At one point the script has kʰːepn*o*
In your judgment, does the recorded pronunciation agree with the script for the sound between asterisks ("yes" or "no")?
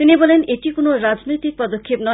no